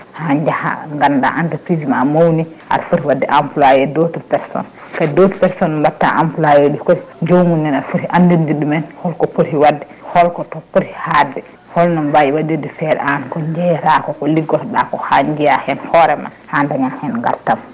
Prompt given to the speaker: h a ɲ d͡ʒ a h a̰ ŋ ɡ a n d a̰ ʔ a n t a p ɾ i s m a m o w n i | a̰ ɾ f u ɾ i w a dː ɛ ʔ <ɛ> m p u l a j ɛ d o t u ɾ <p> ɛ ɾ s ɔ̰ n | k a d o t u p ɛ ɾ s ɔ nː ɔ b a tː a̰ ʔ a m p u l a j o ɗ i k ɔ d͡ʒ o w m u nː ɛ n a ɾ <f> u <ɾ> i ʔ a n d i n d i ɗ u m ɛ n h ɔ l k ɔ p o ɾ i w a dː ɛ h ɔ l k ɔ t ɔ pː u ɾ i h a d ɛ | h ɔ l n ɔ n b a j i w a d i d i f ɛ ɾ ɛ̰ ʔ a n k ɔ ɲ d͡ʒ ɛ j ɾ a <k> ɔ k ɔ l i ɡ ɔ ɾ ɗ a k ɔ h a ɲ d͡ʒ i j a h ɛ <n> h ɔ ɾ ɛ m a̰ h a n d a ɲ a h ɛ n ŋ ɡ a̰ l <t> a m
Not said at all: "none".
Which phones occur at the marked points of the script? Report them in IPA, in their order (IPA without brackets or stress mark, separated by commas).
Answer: a, p, f, ɾ, k, n, t